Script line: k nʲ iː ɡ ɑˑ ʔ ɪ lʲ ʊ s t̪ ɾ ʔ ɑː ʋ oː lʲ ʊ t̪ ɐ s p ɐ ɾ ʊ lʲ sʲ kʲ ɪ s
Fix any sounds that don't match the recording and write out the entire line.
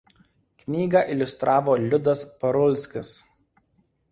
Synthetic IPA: k nʲ iː ɡ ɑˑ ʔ ɪ lʲ ʊ s t̪ ɾ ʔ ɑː ʋ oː lʲ ʊ d̪ ɐ s p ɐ ɾ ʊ lʲ sʲ kʲ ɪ s